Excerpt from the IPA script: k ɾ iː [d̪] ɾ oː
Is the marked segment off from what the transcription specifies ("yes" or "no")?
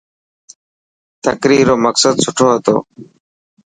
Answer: yes